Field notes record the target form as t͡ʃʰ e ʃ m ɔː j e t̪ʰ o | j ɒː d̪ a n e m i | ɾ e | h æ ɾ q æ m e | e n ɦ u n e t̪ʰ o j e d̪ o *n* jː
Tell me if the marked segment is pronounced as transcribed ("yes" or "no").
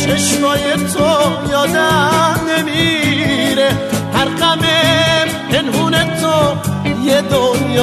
yes